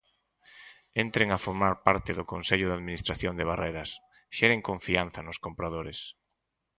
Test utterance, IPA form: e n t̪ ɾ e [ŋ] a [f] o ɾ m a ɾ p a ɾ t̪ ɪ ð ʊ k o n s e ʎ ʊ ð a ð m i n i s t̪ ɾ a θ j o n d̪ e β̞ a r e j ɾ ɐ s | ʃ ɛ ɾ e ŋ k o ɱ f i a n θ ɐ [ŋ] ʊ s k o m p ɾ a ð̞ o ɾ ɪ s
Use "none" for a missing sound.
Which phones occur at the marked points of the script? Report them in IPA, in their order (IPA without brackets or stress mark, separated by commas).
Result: ŋ, f, n